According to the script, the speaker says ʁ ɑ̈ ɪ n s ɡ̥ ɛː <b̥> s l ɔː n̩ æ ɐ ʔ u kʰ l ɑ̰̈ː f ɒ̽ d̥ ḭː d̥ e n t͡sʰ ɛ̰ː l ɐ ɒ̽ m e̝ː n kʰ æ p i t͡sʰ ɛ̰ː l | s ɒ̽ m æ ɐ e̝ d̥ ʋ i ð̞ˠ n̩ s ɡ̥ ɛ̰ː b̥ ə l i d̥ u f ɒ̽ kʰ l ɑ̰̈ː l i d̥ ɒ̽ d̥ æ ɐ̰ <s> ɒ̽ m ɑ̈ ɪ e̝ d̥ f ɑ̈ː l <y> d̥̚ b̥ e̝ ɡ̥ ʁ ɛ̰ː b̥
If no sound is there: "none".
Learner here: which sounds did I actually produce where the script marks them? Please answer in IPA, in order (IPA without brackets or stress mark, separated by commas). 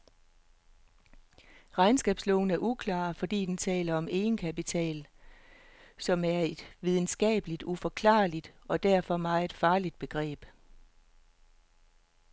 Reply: b̥, f, i